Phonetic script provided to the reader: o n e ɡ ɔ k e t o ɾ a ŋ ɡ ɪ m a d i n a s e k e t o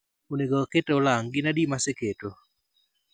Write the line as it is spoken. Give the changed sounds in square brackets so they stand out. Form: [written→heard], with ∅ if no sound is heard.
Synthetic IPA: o n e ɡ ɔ k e t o [ɾ→l] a ŋ ɡ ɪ [m→n] a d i [n→m] a s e k e t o